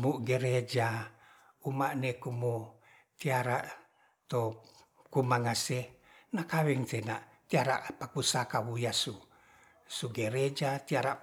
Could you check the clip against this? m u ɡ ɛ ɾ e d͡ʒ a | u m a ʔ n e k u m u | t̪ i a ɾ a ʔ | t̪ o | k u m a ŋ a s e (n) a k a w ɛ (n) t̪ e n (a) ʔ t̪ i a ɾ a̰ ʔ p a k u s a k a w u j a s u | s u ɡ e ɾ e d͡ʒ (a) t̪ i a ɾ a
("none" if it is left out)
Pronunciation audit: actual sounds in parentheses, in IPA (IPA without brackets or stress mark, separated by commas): n, ŋ, a, a